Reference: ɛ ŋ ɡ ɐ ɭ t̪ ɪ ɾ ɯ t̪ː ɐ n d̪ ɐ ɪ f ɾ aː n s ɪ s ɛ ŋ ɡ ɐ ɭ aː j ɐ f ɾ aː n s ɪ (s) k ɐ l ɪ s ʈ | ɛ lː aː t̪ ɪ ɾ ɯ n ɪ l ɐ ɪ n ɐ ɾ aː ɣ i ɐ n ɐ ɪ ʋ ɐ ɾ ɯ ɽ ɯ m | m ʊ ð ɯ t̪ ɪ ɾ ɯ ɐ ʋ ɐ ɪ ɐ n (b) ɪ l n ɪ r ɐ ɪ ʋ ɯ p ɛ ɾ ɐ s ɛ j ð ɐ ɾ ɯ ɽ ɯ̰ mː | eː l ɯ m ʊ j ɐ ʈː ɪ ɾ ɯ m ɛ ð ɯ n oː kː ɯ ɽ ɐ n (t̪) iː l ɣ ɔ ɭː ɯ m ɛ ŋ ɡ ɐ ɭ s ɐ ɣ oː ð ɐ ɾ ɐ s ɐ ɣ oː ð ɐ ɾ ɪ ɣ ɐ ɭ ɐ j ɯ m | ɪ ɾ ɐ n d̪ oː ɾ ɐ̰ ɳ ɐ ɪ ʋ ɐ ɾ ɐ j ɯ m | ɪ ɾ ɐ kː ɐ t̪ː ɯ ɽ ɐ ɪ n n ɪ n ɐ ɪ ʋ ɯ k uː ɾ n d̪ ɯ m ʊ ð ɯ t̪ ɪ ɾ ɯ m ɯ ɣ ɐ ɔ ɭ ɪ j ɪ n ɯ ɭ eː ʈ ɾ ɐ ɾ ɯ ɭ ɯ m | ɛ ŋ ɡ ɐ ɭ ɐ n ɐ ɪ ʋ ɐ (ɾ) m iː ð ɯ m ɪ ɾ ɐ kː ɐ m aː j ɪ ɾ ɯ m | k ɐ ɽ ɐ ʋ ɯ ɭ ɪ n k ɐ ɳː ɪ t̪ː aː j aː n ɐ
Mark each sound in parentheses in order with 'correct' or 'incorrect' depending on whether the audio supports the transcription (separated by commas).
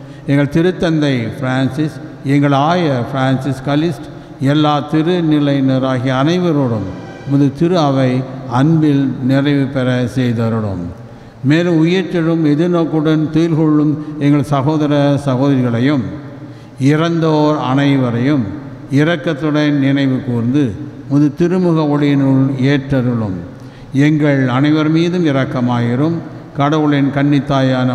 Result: correct, correct, correct, correct